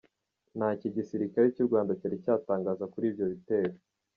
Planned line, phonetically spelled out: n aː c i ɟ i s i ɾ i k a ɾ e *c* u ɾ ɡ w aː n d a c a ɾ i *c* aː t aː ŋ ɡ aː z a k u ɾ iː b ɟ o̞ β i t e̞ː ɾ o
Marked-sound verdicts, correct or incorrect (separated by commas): correct, correct